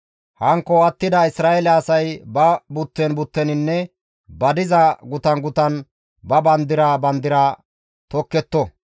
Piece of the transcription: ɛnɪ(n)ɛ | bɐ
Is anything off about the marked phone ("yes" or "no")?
yes